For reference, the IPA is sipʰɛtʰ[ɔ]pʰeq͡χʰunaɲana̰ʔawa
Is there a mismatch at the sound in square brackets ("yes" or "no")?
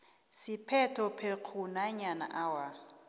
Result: no